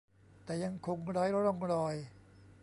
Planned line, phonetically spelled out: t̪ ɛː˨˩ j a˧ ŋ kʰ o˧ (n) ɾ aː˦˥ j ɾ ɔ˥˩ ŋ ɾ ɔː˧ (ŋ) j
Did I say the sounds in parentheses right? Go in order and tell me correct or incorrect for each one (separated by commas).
incorrect, incorrect